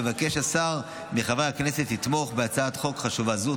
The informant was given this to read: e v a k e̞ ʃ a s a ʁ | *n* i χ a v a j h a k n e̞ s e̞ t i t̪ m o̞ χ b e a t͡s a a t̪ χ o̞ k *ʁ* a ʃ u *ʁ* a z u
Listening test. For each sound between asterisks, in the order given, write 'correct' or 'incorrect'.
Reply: incorrect: m, incorrect: χ, incorrect: v

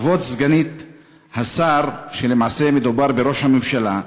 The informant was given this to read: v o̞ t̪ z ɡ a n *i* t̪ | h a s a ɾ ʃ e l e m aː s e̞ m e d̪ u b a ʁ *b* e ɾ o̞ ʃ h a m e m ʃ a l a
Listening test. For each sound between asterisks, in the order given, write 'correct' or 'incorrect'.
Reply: correct, correct

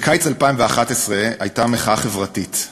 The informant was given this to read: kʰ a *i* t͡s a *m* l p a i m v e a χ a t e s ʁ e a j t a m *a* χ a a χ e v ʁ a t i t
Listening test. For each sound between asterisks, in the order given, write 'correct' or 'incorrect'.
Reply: incorrect: j, incorrect: none, incorrect: e

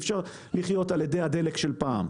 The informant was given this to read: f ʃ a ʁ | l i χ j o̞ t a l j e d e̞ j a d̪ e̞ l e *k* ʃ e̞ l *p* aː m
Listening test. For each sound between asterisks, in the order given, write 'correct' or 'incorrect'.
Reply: correct, correct

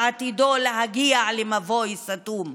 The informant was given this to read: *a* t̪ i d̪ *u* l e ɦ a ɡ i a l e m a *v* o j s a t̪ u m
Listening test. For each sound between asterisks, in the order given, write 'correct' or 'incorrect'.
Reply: correct, incorrect: o, correct

